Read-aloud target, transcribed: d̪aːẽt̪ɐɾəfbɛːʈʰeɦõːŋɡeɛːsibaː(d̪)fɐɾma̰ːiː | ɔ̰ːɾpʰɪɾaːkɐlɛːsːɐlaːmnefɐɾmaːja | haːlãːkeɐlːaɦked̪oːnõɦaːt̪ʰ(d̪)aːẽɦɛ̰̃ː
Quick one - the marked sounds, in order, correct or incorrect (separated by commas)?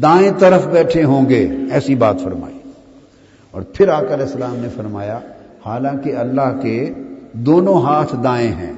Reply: incorrect, correct